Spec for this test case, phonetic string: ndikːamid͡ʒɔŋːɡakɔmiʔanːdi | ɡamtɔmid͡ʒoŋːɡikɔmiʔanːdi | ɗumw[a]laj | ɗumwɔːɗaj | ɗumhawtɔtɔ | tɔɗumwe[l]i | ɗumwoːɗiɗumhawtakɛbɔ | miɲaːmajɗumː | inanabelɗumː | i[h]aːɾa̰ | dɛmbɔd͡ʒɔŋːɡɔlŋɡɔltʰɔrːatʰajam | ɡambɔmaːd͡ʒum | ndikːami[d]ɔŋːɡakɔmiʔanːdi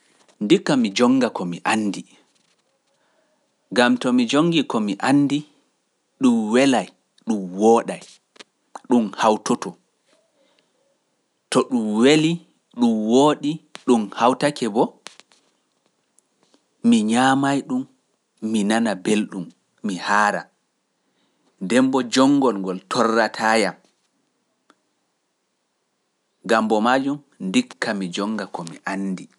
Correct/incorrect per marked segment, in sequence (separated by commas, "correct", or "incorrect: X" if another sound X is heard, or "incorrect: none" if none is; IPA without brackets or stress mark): incorrect: ɛ, correct, correct, incorrect: d͡ʒ